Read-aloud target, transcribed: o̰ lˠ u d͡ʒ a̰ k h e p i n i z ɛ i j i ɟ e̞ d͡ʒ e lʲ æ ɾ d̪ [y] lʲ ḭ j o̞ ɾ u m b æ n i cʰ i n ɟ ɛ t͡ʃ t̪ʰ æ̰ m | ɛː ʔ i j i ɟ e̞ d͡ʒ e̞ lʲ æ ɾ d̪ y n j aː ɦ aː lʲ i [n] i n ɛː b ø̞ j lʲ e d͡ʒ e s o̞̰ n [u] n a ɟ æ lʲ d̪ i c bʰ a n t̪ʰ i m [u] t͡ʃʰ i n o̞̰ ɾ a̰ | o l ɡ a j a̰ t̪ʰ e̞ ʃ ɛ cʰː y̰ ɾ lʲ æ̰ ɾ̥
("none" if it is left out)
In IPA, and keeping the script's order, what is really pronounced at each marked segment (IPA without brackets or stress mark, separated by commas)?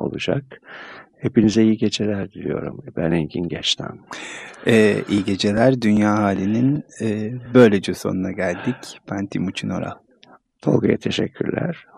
i, n, u, u